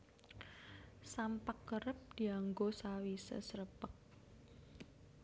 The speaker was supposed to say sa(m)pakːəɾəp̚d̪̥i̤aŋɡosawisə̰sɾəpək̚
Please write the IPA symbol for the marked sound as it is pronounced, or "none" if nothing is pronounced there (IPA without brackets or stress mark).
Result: m